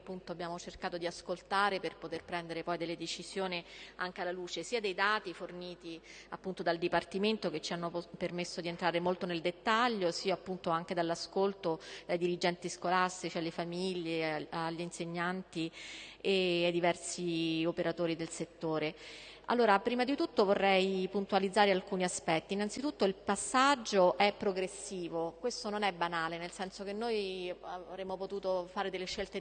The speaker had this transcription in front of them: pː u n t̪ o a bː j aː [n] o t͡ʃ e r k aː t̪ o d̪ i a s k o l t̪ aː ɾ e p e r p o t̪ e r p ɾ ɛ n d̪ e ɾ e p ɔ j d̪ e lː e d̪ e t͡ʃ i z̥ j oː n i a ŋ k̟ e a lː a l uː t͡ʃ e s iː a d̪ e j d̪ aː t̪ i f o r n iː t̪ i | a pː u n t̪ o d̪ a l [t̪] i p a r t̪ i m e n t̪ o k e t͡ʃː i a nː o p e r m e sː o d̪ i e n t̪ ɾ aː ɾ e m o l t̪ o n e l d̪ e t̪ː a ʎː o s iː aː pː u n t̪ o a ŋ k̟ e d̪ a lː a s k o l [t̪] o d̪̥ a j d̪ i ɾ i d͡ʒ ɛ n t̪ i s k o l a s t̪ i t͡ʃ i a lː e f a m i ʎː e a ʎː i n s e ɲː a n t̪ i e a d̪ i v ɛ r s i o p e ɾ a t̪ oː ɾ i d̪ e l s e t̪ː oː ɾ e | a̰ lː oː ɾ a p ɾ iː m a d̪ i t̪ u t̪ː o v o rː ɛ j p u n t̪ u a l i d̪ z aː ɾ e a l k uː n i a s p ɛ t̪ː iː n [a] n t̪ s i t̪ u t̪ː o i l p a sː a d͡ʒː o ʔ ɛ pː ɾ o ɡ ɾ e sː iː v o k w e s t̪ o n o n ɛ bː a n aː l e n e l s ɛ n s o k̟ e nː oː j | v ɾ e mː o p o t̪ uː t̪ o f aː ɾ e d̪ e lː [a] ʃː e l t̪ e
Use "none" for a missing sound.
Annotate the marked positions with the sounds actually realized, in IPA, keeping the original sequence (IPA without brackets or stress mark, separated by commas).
m, d̪, t̪, a, e